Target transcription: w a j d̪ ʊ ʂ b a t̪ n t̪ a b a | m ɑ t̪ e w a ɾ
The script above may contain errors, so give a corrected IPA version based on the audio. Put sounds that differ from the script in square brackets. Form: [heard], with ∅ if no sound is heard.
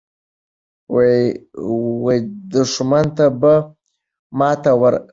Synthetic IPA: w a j d̪ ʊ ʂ [m] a [∅] n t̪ a b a | m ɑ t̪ [a] w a ɾ